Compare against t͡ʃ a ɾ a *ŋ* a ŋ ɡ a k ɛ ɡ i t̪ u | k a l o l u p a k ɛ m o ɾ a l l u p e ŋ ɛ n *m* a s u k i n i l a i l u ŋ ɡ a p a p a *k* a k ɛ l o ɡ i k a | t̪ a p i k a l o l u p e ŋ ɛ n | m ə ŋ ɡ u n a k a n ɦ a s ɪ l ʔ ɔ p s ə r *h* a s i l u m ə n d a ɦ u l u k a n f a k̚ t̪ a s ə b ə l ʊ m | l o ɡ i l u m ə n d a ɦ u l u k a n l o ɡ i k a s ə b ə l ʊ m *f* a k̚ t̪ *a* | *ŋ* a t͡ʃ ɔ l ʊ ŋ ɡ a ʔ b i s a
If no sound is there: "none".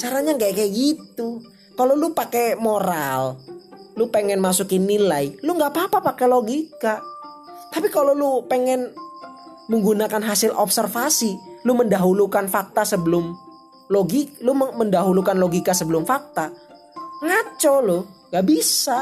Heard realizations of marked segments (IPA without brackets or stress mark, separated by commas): ɲ, m, p, f, f, a, ŋ